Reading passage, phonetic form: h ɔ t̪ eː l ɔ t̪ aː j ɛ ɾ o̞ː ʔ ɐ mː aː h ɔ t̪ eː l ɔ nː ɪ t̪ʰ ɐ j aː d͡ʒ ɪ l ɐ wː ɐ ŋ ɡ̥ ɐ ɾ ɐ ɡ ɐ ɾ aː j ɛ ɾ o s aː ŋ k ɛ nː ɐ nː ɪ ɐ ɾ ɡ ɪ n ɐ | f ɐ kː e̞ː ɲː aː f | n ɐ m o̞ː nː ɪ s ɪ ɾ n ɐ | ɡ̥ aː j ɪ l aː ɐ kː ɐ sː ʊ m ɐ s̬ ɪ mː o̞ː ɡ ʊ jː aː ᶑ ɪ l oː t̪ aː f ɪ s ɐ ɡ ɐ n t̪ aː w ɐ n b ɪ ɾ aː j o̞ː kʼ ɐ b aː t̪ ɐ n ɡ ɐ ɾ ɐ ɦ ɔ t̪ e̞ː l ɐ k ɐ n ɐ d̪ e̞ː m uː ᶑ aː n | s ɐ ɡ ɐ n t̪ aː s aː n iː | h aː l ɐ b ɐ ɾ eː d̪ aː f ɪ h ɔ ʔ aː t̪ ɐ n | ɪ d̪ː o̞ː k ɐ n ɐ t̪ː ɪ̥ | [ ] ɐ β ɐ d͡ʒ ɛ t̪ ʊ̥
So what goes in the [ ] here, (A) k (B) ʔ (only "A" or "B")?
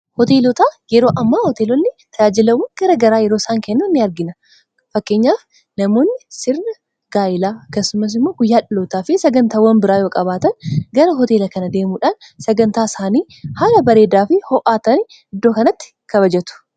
A